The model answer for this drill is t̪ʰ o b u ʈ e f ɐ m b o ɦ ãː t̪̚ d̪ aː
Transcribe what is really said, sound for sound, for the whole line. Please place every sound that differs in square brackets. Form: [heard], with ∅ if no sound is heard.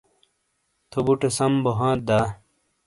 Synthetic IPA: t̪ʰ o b u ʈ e [s] ɐ m b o ɦ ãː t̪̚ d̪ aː